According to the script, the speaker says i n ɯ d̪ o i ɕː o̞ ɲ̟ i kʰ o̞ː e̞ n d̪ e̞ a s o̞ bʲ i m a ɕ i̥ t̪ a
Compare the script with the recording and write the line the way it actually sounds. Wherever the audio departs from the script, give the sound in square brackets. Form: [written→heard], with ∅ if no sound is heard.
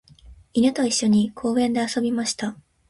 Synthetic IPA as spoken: i n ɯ [d̪→t̪] o i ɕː o̞ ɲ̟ i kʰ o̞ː [e̞→ẽ̞] n d̪ e̞ a s o̞ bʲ i m a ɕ i̥ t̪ a

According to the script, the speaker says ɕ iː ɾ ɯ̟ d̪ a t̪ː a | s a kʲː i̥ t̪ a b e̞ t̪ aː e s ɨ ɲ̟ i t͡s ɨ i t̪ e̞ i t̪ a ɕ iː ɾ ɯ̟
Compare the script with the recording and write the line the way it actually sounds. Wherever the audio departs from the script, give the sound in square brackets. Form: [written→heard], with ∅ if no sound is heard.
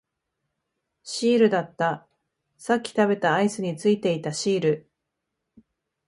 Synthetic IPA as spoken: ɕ iː ɾ ɯ̟ d̪ a t̪ː a | s a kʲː i̥ t̪ a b e̞ t̪ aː [e→i] s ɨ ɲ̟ i t͡s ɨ i t̪ e̞ i t̪ a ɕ iː ɾ ɯ̟

